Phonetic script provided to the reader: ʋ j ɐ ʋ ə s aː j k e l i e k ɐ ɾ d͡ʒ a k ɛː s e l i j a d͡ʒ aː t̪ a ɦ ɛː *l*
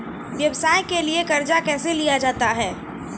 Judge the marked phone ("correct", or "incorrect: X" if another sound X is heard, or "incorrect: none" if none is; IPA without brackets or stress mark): incorrect: none